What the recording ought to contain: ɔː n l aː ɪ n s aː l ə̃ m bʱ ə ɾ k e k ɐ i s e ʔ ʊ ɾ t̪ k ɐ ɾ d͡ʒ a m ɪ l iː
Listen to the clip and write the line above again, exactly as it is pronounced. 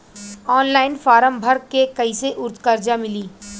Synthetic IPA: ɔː n l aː ɪ n f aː ɾ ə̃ m bʱ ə ɾ k e k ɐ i s e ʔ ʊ ɾ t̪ k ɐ ɾ d͡ʒ a m ɪ l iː